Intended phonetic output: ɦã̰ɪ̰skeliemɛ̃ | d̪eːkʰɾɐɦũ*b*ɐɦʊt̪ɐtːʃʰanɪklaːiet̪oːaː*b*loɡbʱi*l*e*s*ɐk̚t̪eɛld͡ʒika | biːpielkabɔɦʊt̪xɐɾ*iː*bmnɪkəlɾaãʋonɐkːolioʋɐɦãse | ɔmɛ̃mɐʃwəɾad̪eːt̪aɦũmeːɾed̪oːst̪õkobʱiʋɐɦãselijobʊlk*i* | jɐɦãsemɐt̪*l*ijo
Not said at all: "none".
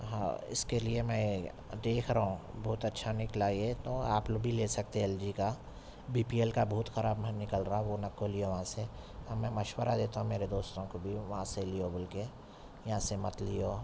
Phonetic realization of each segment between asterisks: b, p, l, s, aː, e, l

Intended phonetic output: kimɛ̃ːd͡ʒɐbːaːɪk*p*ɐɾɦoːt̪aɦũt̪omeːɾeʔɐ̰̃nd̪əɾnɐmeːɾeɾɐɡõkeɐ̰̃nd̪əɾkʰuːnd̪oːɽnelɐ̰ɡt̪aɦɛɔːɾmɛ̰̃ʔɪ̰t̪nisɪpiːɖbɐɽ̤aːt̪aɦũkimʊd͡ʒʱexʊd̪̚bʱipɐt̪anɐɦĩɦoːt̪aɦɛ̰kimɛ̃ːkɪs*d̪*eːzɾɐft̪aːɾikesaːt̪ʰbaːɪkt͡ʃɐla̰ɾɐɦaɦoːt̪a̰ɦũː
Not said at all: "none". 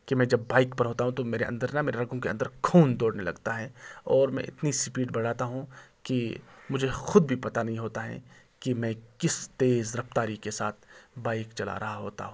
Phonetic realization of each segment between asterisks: p, t̪

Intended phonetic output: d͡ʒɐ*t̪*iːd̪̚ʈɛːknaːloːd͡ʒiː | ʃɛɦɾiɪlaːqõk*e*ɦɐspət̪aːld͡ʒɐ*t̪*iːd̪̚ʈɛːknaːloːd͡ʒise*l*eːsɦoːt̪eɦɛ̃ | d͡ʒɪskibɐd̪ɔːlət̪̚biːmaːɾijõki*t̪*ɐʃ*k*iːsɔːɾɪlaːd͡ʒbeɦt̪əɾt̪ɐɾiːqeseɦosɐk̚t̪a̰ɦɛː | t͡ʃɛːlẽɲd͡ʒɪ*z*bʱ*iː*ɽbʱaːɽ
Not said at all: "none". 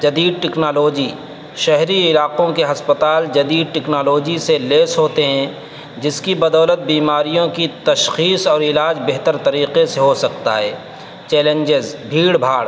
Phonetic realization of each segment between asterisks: d̪, e, d̪, l, t̪, x, z, iː

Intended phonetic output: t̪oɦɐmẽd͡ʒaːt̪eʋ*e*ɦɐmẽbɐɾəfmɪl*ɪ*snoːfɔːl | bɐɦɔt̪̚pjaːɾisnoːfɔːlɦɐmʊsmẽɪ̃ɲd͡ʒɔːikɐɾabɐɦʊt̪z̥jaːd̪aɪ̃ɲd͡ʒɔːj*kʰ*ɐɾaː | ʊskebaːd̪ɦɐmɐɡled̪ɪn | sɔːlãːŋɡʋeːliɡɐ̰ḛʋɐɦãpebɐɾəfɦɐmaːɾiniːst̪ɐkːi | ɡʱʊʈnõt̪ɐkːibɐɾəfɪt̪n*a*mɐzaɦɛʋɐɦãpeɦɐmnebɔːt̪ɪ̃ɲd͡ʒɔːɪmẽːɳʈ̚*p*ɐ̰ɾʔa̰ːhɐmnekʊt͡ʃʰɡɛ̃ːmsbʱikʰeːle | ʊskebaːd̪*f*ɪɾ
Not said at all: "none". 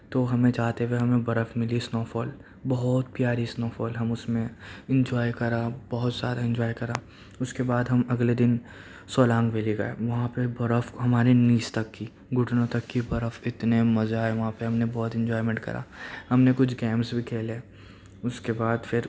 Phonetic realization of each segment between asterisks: e, i, k, e, k, f

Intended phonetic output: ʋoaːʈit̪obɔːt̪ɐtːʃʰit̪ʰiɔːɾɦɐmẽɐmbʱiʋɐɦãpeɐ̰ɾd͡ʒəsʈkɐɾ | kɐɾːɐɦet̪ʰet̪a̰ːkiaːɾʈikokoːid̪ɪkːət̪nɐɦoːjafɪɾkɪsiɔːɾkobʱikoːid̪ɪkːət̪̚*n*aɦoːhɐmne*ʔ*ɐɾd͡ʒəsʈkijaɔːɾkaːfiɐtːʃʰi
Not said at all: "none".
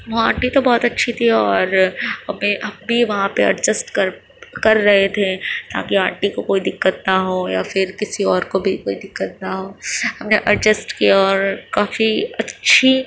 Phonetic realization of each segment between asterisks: n, ʔ

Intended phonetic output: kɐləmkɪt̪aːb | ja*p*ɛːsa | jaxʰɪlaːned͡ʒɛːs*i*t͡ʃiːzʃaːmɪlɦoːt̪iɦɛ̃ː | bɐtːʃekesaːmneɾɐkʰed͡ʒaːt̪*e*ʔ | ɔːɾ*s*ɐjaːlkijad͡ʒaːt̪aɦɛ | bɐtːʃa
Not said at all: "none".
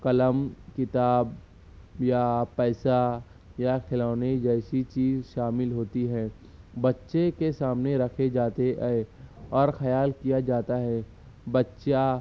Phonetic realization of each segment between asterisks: p, i, e, x

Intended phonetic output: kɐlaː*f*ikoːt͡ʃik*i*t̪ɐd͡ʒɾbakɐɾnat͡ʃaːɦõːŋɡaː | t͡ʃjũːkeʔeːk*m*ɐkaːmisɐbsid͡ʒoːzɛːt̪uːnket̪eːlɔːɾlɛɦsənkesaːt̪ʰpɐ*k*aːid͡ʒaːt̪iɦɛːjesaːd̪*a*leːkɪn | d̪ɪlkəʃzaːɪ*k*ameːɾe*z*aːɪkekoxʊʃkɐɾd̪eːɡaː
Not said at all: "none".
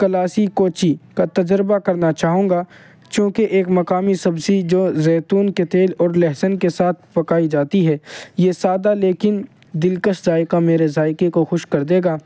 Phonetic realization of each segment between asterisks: s, a, m, k, a, k, z

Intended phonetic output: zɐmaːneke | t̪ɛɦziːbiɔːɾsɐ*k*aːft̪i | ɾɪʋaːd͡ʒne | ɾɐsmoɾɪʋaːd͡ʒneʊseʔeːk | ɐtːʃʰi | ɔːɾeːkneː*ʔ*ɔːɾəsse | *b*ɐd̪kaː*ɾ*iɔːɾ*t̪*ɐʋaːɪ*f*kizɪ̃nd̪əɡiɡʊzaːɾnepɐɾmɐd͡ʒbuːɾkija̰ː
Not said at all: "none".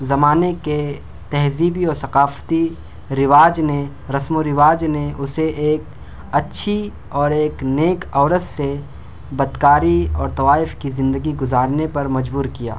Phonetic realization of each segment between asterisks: q, k, b, ɾ, t̪, f

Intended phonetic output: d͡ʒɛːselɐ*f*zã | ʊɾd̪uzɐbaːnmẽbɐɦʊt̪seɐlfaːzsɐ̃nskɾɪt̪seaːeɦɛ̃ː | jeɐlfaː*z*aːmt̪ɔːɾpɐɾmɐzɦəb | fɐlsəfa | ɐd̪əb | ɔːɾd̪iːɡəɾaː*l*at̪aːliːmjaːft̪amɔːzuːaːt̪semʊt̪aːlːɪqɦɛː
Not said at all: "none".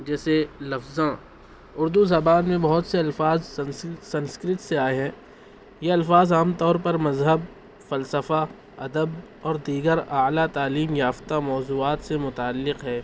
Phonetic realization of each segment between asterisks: f, z, l

